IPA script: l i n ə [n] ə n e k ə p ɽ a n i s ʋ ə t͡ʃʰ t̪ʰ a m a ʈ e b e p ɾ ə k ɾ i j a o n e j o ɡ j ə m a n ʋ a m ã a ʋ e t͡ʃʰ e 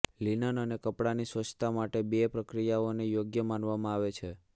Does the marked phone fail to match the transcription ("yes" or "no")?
no